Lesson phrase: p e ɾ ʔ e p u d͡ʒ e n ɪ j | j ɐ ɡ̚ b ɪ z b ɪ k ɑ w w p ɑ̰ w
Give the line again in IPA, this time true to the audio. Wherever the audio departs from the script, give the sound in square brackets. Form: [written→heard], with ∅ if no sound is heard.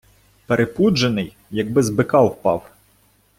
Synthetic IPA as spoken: p e ɾ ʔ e p u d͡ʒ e n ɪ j | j ɐ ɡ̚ b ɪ z b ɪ k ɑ w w p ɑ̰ w